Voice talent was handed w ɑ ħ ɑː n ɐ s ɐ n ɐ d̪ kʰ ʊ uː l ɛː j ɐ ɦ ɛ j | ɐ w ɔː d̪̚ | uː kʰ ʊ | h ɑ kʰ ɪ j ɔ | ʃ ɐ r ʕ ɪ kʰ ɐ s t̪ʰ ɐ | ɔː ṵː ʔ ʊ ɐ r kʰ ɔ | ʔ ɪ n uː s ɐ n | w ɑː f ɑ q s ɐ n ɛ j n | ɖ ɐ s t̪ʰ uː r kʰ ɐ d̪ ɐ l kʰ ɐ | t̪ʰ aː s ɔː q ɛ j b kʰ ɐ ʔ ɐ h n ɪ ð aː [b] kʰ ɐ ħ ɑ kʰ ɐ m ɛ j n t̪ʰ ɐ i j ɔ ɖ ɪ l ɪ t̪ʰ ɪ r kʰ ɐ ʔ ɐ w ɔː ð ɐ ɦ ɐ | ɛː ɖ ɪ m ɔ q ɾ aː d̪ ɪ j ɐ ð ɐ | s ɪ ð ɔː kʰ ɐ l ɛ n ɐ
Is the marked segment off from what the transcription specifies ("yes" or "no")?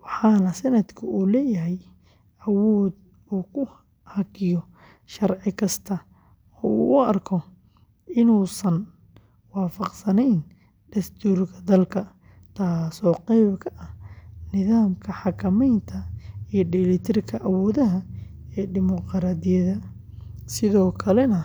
yes